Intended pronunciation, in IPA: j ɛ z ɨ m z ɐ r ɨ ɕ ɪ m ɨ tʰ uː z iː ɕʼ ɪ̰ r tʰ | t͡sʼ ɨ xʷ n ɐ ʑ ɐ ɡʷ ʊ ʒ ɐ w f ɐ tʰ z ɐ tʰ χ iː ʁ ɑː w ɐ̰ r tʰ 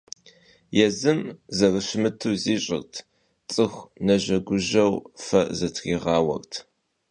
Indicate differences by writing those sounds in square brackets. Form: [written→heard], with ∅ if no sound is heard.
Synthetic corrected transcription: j ɛ z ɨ m z ɐ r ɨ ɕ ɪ m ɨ tʰ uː z iː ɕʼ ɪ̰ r tʰ | t͡sʼ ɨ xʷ n ɐ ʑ ɐ ɡʷ ʊ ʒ ɐ w f ɐ [tʰ→∅] z ɐ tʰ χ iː ʁ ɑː w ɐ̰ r tʰ